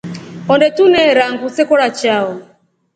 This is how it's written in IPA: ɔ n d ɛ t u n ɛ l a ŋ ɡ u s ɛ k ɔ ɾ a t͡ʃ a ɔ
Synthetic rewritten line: ɔ n d ɛ t u n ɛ ɾ a ŋ ɡ u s ɛ k ɔ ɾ a t͡ʃ a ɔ